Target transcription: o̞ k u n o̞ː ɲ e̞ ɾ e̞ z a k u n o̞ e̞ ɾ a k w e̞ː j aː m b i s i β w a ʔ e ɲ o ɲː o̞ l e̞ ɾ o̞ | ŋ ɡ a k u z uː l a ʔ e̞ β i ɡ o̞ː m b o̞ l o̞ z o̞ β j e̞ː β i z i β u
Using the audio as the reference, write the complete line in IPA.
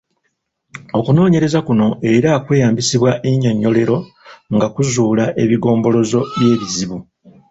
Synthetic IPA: o̞ k u n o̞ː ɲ e̞ ɾ e̞ z a k u n o̞ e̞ ɾ a k w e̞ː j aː m b i s i β w a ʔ e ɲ o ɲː o̞ l e̞ ɾ o̞ | ŋ ɡ a k u z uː l a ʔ e̞ β i ɡ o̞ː m b o̞ l o̞ z o̞ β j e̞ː β i z i β u